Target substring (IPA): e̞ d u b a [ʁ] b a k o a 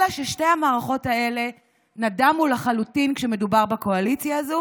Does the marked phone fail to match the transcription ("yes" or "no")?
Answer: no